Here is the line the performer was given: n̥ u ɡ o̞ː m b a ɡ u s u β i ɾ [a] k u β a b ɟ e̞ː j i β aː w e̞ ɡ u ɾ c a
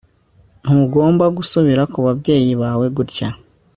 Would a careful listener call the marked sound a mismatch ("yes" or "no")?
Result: no